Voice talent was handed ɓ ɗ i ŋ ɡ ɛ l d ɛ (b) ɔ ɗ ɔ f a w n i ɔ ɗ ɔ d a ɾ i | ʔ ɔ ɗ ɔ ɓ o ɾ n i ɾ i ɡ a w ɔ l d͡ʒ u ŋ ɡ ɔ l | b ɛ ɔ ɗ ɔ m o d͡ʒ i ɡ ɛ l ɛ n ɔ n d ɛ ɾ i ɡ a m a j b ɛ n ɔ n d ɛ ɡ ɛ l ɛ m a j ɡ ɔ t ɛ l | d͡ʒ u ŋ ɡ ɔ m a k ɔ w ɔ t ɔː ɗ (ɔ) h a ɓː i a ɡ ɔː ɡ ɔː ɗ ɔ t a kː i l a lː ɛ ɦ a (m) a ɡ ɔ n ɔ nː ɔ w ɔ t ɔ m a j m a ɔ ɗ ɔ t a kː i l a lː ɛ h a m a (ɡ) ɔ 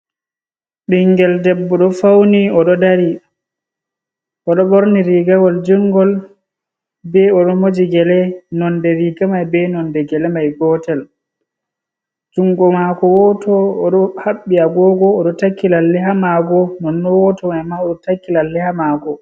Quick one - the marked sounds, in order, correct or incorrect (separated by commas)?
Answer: incorrect, correct, correct, correct